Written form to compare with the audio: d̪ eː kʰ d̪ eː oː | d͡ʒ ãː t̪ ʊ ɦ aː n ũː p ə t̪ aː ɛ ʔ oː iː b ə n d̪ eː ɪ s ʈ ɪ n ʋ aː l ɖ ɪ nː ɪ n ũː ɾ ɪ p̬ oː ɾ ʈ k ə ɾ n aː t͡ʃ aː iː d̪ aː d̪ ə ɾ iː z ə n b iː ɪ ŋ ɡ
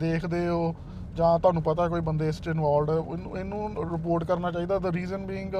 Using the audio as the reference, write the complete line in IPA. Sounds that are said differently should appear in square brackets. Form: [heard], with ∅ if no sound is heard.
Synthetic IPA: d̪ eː kʰ d̪ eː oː | d͡ʒ ãː t̪ ʊ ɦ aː n ũː p ə t̪ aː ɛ [k] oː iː b ə n d̪ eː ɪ s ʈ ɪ n ʋ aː l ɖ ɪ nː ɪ n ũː ɾ ɪ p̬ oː ɾ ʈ k ə ɾ n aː t͡ʃ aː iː d̪ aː d̪ ə ɾ iː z ə n b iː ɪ ŋ ɡ